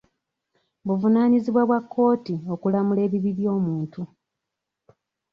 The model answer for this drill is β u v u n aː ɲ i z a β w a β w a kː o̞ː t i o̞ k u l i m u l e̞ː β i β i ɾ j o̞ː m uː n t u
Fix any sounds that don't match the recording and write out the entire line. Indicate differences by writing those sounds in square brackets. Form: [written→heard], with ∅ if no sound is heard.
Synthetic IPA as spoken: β u v u n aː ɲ i z [a→i] β w a β w a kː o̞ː t i o̞ k u l [i→a] m u l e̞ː β i β i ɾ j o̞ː m uː n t u